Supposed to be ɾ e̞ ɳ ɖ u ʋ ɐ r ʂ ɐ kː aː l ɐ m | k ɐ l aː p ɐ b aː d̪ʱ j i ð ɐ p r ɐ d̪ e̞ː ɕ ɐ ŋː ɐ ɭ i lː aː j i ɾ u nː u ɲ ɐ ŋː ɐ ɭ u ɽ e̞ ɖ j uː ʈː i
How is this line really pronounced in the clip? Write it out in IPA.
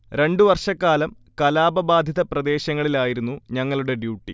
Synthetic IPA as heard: ɾ e̞ ɳ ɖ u ʋ ɐ r ʂ ɐ kː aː l ɐ m | k ɐ l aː b ɐ b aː d̪ʱ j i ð ɐ p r ɐ d̪ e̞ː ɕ ɐ ŋː ɐ ɭ i l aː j i ɾ u nː u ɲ ɐ ŋː ɐ ɭ u ɽ e̞ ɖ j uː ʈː i

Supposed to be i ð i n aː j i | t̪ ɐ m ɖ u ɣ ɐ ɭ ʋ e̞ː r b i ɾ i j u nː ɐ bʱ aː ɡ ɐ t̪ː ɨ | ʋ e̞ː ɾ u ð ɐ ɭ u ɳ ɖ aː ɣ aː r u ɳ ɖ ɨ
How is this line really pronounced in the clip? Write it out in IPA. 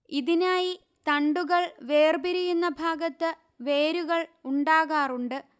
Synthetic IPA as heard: i ð i n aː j i | t̪ ɐ ɳ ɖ u ɣ ɐ ɭ ʋ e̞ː r b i ɾ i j u nː ɐ bʱ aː ɡ ɐ t̪ː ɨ | ʋ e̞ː ɾ u ɣ ɐ ɭ u ɳ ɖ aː ɣ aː r u ɳ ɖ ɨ

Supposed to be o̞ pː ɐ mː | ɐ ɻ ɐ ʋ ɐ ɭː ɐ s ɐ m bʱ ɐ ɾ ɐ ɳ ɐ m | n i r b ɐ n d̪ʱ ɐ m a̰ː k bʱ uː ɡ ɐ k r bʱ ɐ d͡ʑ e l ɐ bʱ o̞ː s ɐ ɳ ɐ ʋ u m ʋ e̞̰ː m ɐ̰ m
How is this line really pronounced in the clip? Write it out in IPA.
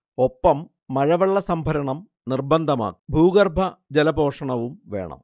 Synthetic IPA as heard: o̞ pː ɐ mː | ɐ ɻ ɐ ʋ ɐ ɭː ɐ s ɐ m bʱ ɐ ɾ ɐ ɳ ɐ m | n i r b ɐ n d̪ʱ ɐ m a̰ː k bʱ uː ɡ ɐ r bʱ ɐ d͡ʑ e l ɐ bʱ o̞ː ʂ ɐ ɳ ɐ ʋ u m ʋ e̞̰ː ɳ ɐ̰ m

